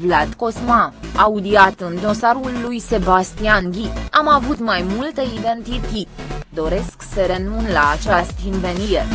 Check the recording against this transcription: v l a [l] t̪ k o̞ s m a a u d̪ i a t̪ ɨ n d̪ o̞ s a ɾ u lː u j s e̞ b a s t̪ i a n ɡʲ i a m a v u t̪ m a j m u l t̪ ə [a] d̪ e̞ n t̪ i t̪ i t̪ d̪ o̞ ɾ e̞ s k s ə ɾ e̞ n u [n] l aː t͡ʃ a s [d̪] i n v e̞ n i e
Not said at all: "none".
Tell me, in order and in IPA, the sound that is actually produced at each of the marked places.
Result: none, i, n, t̪

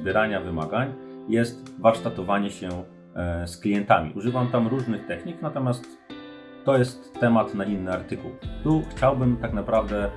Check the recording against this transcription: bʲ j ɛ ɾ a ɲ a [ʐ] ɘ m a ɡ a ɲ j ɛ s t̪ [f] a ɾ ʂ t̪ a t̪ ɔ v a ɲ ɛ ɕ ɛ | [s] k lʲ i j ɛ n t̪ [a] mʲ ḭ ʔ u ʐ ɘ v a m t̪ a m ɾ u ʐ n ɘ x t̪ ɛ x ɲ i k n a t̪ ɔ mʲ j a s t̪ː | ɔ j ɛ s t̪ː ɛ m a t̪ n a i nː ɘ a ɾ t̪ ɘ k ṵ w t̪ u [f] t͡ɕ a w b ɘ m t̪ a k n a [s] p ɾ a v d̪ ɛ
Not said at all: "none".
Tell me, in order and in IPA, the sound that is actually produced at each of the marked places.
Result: v, v, s, a, x, none

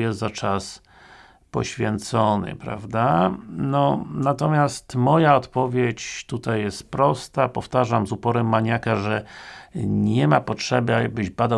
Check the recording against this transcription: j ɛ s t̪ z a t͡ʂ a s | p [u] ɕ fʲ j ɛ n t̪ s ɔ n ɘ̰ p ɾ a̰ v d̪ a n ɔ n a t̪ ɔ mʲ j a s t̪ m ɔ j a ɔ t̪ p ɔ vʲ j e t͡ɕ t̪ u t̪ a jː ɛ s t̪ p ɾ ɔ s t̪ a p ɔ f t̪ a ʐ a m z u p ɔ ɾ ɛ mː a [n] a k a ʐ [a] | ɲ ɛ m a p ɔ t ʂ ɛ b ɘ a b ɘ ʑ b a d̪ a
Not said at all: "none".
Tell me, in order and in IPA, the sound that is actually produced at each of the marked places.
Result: ɔ, ɲ, ɛ

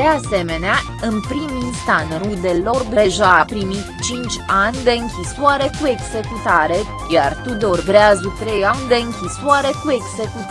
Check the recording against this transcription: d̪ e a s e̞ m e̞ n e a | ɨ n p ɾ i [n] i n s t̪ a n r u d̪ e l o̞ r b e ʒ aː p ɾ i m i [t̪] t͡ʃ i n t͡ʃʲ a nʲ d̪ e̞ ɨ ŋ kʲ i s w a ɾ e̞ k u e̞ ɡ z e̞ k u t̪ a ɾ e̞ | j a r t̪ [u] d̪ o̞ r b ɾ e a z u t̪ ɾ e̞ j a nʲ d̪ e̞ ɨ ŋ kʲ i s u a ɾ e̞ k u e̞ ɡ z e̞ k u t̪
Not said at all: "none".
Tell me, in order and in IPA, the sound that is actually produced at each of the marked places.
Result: m, t̪, u

